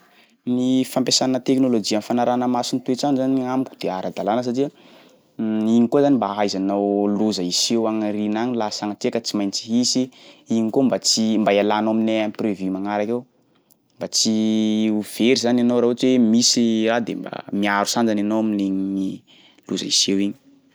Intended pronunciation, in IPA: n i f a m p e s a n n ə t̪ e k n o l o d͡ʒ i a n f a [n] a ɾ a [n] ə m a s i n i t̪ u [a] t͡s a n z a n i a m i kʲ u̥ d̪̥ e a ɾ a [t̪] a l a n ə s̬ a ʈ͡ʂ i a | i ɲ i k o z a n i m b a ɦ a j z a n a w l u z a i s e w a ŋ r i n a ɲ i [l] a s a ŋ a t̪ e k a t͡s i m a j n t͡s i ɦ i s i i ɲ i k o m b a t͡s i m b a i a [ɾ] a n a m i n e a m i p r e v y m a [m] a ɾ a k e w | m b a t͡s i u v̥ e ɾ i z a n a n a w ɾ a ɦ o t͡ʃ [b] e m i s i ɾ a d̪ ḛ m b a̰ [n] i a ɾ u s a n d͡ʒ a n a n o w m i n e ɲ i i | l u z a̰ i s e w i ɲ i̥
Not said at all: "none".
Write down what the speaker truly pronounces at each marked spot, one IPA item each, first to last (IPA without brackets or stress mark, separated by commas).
n, n, e, d̪, l, l, ŋ, w, m